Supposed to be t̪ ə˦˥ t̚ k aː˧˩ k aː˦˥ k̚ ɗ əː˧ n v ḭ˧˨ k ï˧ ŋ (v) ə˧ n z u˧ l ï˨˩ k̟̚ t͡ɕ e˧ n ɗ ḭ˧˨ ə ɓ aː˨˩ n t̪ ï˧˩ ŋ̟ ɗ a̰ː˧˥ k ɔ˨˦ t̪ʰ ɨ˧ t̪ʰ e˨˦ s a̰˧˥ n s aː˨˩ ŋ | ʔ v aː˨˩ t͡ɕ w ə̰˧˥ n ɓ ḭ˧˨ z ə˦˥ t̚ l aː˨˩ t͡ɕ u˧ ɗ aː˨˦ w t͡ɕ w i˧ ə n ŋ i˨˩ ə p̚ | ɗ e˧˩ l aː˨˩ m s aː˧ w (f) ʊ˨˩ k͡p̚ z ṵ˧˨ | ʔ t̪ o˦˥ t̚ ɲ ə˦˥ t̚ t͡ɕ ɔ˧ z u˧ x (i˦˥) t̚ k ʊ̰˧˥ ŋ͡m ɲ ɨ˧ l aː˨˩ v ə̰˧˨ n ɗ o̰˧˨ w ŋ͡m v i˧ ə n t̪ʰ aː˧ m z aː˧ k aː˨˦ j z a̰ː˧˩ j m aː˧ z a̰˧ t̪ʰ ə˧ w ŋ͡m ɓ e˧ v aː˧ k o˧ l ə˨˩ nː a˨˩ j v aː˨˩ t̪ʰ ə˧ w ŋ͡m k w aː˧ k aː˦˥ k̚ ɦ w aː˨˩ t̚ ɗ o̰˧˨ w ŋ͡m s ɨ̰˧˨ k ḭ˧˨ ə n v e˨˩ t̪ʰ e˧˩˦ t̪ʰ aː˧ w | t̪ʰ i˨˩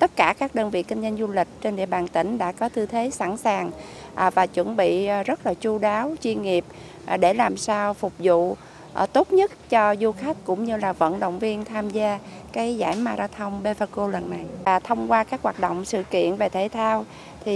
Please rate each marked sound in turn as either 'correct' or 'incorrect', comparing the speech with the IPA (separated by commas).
incorrect, correct, incorrect